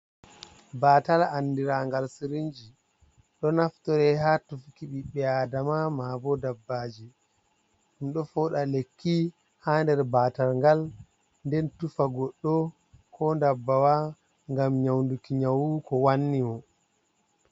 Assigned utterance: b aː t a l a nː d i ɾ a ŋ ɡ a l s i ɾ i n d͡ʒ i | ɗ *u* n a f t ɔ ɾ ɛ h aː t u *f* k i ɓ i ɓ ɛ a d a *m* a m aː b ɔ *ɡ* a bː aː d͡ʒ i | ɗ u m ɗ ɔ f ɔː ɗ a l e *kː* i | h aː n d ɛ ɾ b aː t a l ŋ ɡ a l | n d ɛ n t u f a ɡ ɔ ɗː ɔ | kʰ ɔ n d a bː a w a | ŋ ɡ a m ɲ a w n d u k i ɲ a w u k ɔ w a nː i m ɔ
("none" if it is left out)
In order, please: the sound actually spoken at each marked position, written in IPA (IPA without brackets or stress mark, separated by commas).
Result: ɔ, f, m, d, kː